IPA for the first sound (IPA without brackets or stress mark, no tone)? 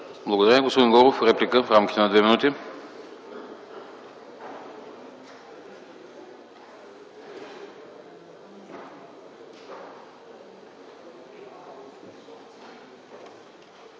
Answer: b